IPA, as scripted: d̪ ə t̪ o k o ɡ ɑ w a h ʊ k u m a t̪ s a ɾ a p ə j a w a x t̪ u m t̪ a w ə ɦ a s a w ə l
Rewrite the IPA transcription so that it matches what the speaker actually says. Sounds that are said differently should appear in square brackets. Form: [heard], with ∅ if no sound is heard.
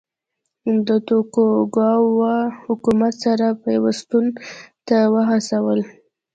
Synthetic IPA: d̪ ə t̪ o k o ɡ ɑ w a h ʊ k u m a t̪ s a ɾ a p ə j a w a [s] t̪ u [n] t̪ a w ə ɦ a s a w ə l